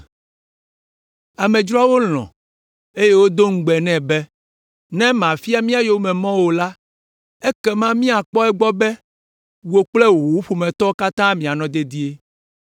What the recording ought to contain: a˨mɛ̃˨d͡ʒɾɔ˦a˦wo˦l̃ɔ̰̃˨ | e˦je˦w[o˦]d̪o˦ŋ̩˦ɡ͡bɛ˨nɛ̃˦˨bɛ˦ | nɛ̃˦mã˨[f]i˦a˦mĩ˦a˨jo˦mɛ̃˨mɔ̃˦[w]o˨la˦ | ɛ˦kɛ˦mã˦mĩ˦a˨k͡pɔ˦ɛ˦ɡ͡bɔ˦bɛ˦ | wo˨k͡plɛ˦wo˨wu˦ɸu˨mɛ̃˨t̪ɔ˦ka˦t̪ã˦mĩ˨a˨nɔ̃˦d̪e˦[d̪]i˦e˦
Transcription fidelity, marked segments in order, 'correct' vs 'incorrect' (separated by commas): correct, correct, correct, correct